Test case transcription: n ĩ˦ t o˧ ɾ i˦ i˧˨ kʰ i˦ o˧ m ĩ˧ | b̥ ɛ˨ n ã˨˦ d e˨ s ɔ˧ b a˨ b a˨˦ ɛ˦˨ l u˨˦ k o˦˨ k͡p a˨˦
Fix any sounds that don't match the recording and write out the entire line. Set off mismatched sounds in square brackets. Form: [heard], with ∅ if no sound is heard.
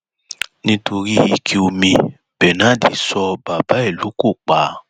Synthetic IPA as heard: n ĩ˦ t o˧ ɾ i˦ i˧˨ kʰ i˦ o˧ m ĩ˧ | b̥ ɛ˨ n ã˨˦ d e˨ s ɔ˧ b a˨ b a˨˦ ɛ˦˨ l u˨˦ k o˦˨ k͡p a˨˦